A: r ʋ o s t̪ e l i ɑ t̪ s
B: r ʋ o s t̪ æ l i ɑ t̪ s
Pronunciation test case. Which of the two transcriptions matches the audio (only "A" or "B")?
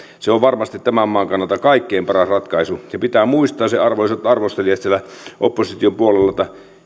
A